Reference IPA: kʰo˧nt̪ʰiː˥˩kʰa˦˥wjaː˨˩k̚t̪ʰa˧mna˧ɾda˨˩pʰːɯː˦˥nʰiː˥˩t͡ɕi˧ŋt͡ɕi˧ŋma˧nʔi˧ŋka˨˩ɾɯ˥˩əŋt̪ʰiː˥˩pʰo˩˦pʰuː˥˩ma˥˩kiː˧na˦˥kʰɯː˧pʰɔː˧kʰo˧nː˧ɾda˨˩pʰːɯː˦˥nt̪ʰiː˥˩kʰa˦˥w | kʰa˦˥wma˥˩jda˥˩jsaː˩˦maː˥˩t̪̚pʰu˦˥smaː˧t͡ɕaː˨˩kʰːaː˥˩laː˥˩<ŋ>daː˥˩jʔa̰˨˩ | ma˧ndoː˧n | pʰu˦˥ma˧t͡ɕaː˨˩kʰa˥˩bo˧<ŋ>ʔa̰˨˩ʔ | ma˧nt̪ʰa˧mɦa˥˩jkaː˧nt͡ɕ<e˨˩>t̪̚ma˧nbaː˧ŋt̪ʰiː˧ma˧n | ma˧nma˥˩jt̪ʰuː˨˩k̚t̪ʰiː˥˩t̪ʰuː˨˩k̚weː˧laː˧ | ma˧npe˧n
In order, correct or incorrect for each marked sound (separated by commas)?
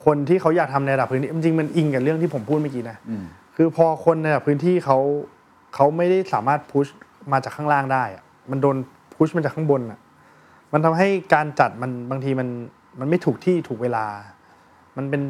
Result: correct, incorrect, incorrect